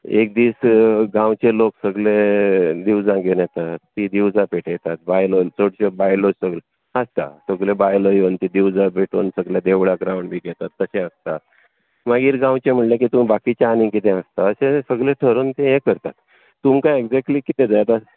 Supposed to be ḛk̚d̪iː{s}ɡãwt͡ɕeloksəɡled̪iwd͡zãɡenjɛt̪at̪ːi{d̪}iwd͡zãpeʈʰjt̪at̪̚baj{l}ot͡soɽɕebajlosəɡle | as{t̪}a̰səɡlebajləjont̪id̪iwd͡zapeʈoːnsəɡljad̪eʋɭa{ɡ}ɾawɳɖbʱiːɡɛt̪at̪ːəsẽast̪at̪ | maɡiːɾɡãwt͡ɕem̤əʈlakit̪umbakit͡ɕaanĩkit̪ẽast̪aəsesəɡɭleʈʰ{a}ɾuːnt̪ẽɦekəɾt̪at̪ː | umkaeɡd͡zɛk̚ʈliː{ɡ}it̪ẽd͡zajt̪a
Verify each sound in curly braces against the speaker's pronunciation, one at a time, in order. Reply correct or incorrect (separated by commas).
correct, correct, correct, correct, correct, incorrect, incorrect